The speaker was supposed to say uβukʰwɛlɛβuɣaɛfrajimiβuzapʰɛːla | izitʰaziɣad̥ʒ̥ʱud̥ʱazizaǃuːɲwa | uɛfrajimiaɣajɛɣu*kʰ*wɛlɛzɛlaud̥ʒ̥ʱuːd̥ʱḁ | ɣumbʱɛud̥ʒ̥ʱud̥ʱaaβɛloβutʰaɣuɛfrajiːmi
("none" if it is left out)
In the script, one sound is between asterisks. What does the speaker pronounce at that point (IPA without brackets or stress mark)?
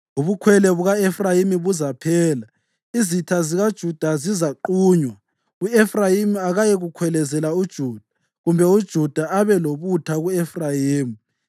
kʰ